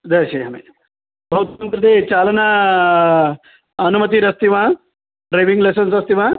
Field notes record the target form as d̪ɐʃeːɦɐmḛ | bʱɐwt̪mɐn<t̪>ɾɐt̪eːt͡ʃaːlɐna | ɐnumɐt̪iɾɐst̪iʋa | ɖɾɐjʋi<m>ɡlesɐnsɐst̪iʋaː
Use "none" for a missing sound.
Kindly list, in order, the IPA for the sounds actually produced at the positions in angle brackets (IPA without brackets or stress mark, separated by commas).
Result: t̪, ŋ